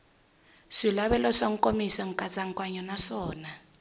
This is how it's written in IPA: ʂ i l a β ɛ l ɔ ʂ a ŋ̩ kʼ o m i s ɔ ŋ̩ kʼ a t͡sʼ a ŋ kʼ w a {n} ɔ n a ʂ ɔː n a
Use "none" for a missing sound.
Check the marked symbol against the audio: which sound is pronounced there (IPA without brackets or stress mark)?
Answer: ɲ